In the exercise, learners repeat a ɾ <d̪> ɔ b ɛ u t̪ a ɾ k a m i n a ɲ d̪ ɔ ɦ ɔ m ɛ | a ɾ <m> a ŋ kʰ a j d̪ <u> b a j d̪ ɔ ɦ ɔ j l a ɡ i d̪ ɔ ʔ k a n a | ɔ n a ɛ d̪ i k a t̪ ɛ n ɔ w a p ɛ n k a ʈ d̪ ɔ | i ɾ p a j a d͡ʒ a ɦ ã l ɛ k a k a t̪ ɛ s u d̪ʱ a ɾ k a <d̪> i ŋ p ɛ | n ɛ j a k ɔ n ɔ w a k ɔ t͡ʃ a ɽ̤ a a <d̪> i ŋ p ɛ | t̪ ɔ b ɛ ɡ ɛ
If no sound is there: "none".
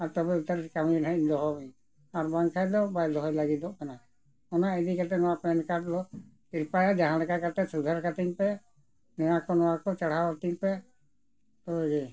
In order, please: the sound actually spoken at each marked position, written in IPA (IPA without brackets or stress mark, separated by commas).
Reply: t̪, b, ɔ, t̪, t̪